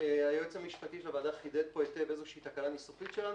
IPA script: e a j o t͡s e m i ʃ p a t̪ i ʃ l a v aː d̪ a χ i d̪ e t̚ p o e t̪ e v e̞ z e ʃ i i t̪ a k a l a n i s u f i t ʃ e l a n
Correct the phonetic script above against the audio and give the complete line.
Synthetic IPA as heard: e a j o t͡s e m i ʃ p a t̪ i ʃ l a v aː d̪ a χ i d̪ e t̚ p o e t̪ e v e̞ z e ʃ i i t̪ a k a l a n i s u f i t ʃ e l a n